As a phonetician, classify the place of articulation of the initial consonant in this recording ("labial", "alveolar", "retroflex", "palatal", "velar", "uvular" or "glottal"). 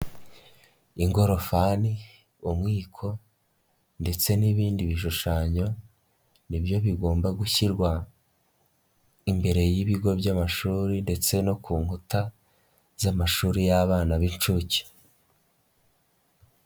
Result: velar